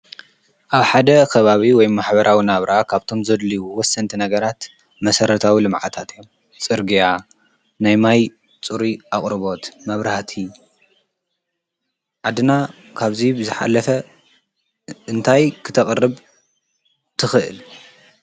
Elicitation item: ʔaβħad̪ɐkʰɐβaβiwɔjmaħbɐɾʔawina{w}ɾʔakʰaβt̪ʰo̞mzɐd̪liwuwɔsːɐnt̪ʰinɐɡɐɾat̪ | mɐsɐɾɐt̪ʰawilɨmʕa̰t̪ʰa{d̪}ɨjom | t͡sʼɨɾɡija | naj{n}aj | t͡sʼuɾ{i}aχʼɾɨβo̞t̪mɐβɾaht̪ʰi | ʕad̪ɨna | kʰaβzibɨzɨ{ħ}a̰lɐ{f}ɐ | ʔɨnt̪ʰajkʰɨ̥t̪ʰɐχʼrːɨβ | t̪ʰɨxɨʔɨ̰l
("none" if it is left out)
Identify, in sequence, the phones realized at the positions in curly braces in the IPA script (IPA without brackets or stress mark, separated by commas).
β, t̪, m, i, ħ, f